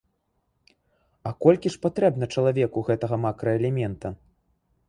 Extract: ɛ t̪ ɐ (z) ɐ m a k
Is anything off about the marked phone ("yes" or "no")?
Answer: yes